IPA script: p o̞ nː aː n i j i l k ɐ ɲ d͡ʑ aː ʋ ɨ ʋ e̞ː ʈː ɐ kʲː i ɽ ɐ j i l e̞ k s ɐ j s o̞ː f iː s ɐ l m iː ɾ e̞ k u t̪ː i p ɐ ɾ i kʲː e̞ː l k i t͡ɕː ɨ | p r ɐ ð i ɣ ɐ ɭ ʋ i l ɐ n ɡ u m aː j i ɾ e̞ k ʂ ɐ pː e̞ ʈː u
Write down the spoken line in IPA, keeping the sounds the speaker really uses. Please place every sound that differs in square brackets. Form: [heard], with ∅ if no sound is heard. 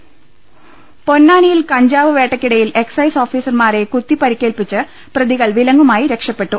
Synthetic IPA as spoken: p o̞ nː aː n i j i l k ɐ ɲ d͡ʑ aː ʋ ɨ ʋ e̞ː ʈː ɐ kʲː i ɽ ɐ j i l e̞ k s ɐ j s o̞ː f iː s ɐ [r] m [aː] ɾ e̞ k u t̪ː i p ɐ ɾ i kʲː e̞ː l [p] i t͡ɕː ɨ | p r ɐ ð i ɣ ɐ ɭ ʋ i l ɐ [ŋ] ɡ u m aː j i ɾ e̞ k ʂ ɐ pː e̞ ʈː u